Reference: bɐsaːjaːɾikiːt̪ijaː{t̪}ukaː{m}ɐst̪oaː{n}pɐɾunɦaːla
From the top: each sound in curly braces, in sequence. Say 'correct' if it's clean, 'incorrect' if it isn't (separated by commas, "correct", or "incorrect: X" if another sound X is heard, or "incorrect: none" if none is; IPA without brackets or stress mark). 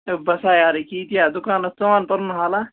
incorrect: d̪, incorrect: n, correct